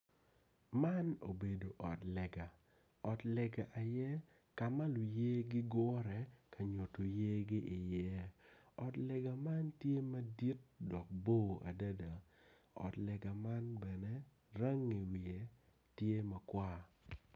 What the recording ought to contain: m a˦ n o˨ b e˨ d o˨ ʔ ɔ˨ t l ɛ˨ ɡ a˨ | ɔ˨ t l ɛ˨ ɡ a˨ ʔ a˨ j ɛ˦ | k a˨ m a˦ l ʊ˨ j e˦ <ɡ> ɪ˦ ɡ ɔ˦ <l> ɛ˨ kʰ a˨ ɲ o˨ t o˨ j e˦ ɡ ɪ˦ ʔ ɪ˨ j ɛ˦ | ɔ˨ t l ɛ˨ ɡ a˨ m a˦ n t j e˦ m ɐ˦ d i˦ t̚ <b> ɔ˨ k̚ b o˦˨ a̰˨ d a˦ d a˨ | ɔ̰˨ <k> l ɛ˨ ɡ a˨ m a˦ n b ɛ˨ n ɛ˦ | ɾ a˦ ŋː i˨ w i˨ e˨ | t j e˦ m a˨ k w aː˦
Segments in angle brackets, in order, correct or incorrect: correct, incorrect: ɾ, incorrect: d, incorrect: t

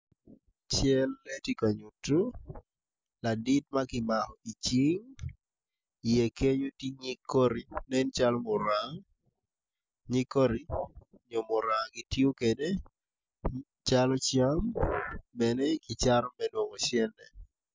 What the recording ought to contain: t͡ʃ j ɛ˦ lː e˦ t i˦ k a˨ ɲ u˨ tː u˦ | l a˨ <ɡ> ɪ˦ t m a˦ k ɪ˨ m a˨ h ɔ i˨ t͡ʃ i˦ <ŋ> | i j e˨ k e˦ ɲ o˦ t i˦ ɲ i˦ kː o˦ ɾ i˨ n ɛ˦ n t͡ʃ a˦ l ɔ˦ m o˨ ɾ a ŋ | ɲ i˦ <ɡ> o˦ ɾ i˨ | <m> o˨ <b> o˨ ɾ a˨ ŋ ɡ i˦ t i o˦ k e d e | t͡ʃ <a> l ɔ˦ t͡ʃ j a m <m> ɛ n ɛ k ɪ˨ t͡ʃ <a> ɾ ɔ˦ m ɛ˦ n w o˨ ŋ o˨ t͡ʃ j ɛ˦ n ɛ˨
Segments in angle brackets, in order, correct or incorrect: incorrect: d, correct, incorrect: k, incorrect: ɲ, incorrect: m, correct, incorrect: b, correct

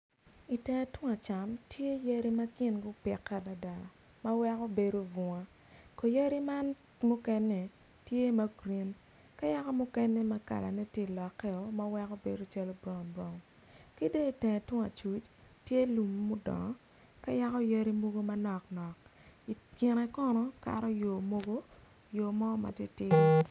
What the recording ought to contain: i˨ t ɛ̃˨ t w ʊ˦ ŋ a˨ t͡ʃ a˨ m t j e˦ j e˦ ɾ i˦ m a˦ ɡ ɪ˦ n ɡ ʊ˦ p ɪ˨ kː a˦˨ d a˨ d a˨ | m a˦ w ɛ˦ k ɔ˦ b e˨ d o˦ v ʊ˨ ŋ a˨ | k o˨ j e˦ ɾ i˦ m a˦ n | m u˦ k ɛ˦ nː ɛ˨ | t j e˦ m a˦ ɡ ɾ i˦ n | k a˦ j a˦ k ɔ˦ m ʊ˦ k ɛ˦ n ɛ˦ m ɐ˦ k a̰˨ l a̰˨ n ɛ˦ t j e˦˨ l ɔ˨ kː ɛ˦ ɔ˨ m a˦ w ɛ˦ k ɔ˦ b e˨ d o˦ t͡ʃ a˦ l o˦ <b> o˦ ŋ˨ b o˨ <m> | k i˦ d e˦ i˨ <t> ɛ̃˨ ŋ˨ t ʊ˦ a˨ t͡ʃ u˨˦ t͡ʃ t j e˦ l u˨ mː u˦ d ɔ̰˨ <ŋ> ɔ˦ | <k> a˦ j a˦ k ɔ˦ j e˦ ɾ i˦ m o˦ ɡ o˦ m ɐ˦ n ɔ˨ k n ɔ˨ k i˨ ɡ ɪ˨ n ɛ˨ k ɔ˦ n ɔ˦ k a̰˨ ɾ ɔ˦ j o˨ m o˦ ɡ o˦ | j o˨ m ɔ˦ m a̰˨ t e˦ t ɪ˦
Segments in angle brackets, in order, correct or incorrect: correct, incorrect: ŋ, correct, correct, correct

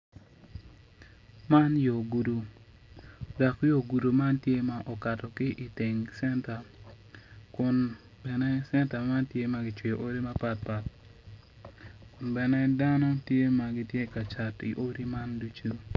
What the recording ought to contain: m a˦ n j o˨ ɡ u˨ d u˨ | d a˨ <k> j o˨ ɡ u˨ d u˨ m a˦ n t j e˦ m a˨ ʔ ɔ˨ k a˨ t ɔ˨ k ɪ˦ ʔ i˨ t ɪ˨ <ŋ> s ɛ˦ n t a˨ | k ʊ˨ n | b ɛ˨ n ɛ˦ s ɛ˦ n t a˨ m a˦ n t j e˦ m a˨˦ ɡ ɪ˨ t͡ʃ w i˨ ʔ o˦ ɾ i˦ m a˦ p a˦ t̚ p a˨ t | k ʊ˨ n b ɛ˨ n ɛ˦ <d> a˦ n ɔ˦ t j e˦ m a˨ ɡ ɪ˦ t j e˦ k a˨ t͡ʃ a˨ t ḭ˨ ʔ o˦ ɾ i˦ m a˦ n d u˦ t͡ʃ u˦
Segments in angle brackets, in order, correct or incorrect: correct, correct, correct

